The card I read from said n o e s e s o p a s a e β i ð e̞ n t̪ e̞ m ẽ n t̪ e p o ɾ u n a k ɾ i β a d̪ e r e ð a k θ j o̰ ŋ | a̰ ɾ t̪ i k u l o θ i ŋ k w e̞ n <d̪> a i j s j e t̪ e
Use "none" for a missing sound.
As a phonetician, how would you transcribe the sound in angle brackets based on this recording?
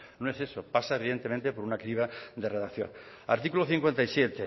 t̪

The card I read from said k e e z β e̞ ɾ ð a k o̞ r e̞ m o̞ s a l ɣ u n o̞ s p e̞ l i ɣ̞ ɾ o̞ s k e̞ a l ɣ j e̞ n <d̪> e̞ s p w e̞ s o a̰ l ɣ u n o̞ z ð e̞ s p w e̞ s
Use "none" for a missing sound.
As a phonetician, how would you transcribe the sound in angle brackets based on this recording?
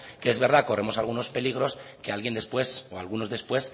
d̪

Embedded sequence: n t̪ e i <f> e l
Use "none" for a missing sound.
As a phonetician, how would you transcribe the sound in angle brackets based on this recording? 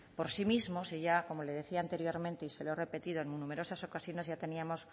s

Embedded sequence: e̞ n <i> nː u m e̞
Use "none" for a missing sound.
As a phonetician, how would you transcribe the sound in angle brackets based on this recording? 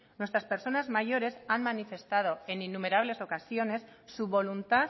i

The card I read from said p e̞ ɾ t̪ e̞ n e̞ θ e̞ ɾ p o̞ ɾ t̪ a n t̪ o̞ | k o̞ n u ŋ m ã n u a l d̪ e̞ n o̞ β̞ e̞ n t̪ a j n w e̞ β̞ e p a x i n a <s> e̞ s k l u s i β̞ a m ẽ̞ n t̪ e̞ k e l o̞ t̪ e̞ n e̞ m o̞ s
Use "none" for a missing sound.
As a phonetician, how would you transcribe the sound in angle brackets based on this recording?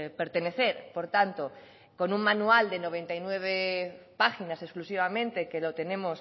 s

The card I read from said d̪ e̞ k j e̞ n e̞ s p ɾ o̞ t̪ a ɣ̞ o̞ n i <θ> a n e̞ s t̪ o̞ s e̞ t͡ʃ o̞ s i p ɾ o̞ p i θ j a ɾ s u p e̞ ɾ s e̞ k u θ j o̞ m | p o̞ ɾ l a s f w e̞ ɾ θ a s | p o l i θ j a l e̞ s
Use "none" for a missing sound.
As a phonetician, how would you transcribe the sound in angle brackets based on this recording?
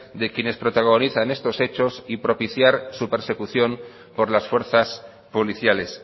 θ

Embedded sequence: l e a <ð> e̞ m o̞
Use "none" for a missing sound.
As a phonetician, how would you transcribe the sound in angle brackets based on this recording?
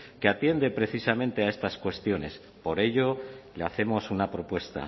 θ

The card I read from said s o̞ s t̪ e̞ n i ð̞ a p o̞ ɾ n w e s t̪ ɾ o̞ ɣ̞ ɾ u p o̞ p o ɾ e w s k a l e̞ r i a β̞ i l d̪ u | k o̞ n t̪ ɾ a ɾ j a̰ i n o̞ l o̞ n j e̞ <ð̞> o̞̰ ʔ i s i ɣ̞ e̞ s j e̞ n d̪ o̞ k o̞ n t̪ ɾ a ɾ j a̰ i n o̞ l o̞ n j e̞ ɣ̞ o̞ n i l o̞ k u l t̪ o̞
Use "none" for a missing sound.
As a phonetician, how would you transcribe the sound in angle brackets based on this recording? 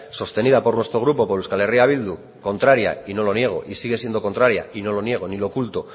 ɣ̞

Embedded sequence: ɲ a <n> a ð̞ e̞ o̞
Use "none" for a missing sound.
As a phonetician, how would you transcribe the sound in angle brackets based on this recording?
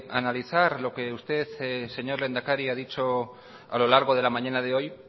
n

